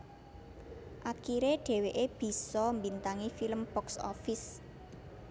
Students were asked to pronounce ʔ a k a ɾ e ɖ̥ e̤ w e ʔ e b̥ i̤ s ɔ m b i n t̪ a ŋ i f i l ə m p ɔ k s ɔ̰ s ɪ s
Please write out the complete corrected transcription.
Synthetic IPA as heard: ʔ a k i ɾ e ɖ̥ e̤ w e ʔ e b̥ i̤ s ɔ m b i n t̪ a ŋ i f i l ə m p ɔ k s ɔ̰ f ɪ s